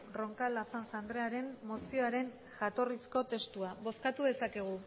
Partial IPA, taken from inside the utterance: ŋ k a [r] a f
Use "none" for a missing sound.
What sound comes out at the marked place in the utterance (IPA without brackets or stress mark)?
l